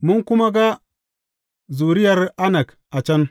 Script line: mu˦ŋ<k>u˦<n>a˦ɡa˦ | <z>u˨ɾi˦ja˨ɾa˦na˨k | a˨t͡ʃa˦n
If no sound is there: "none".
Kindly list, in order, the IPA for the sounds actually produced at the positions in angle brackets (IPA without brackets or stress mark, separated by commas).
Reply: k, m, z